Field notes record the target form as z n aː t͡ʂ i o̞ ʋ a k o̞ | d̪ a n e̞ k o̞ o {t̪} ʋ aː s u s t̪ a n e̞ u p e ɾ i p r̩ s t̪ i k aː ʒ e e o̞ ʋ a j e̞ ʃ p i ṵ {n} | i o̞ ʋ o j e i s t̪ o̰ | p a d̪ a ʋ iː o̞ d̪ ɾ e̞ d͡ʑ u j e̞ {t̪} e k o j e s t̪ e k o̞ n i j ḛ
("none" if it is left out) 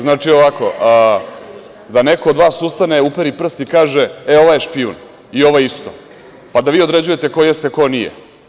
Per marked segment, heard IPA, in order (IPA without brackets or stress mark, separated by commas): d̪, n, t̪